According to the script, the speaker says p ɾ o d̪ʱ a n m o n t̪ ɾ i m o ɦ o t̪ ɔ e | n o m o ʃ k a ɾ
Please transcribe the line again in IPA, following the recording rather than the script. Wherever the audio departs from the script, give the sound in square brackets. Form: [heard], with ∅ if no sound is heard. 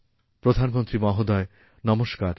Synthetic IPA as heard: p ɾ o d̪ʱ a n m o n t̪ ɾ i m [ɔ] ɦ o [d̪] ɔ e | n [ɔ] m o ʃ k a ɾ